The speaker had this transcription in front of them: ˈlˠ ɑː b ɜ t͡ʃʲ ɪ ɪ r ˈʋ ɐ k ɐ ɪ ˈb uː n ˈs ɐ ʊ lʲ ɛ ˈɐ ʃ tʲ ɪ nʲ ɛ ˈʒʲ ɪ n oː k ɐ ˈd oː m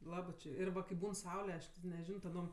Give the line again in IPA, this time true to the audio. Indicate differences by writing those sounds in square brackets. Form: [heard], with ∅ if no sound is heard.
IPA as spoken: ˈlˠ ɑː b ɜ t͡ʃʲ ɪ ɪ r ˈʋ ɐ k ɐ ɪ ˈb uː n ˈs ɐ ʊ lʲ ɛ ˈɐ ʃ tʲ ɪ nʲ ɛ ˈʒʲ ɪ n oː [t] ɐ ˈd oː m